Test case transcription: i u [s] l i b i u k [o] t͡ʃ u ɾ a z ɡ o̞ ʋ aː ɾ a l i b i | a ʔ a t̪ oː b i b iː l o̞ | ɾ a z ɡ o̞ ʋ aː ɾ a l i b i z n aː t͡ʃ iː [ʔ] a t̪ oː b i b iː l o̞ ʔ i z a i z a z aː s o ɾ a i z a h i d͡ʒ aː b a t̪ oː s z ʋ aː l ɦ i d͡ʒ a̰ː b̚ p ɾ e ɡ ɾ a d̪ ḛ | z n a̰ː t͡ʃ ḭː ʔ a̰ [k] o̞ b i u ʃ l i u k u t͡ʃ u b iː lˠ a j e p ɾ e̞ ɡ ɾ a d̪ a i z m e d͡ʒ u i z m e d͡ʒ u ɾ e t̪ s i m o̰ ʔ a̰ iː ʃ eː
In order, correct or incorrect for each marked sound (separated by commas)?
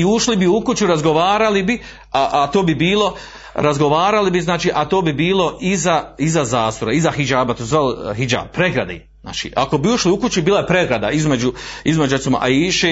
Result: incorrect, incorrect, correct, correct